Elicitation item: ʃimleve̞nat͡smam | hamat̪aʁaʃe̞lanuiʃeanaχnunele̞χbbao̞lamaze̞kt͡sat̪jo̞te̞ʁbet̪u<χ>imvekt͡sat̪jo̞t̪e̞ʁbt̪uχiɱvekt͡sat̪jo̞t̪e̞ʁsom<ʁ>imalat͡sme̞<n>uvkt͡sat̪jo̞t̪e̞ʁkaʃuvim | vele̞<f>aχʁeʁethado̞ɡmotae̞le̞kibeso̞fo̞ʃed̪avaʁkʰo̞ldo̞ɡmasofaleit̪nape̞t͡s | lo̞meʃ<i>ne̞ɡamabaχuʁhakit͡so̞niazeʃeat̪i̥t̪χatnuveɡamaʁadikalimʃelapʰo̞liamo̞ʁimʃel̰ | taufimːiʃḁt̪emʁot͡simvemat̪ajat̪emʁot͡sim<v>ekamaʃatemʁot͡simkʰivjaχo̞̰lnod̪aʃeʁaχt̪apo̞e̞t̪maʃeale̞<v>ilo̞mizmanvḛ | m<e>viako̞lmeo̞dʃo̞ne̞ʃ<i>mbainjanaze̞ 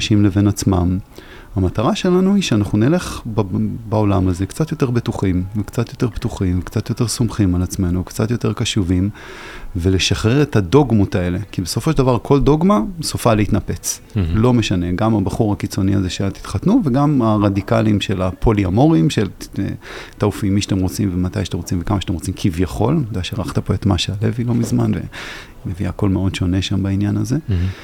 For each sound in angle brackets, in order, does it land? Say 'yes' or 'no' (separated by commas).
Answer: yes, no, yes, no, no, yes, yes, yes, no